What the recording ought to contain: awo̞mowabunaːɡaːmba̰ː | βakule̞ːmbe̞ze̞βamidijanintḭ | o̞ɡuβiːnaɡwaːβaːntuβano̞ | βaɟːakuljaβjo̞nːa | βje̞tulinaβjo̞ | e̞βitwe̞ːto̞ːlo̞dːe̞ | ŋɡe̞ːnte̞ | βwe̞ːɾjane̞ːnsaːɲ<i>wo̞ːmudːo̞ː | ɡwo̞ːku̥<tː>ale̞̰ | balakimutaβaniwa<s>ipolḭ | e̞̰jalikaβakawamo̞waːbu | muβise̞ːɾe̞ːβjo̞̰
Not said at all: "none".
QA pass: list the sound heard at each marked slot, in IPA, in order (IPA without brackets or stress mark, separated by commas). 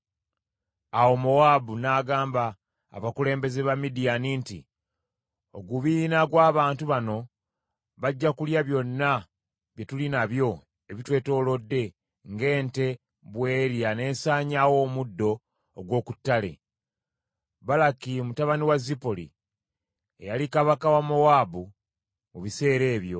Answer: a, tː, z